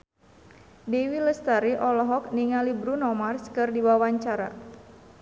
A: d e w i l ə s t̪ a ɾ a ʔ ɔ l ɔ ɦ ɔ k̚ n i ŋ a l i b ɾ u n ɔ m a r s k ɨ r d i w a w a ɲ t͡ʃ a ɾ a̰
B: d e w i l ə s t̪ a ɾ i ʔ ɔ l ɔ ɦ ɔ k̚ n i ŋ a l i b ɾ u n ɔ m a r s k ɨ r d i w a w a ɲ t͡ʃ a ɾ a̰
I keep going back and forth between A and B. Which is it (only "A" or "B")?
B